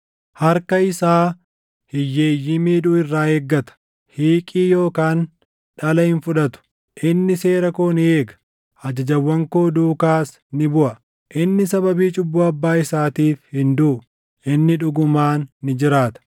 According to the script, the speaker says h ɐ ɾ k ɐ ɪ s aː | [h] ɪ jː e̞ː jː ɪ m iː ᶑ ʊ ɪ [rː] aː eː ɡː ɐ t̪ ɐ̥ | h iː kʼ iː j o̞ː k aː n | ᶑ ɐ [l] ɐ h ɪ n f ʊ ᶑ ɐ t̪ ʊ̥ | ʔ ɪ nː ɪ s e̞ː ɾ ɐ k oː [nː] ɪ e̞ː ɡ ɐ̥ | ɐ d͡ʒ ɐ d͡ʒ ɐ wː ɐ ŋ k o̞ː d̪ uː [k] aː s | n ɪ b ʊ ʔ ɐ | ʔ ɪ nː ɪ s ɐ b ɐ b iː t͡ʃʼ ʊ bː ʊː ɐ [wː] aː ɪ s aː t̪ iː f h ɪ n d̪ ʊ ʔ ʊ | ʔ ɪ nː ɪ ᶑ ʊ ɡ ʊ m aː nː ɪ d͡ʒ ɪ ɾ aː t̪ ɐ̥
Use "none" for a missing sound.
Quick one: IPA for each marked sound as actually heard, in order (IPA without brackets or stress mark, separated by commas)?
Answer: h, rː, l, n, k, bː